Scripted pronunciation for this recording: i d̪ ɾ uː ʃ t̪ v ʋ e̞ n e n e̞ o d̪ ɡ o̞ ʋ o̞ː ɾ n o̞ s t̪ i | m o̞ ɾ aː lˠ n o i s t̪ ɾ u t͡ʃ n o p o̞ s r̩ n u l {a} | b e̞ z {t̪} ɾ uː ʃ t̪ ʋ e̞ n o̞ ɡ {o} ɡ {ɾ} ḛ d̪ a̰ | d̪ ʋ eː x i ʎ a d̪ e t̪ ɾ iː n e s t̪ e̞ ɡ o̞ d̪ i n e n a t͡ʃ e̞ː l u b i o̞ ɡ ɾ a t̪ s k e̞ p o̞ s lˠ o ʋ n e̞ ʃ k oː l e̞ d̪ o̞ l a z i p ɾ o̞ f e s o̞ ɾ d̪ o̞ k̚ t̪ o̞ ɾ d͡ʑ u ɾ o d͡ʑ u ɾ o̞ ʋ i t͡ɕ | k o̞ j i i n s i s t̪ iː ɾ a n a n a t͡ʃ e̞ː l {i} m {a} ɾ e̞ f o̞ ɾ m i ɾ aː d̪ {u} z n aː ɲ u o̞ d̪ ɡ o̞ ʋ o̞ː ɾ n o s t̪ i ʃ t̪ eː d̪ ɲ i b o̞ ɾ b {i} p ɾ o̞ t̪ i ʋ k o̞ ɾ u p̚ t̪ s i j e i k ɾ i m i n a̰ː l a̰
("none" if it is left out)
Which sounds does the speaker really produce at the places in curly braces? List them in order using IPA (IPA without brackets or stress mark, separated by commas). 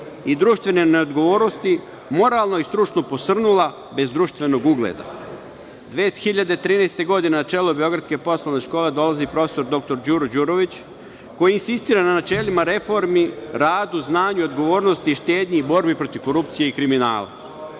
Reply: a, d̪, u, l, i, a, u, i